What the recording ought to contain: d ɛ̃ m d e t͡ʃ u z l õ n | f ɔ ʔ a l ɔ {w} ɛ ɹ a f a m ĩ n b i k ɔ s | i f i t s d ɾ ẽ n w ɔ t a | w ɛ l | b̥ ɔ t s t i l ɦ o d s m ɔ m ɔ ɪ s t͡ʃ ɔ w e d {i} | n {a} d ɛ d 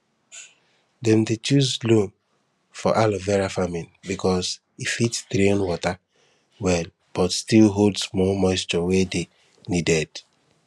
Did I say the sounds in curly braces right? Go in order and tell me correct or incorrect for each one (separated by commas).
incorrect, incorrect, incorrect